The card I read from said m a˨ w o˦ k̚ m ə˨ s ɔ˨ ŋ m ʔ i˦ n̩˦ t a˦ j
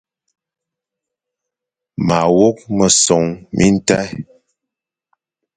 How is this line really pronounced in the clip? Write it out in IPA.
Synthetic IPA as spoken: m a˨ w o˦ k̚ m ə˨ s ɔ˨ ŋ m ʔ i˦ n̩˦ t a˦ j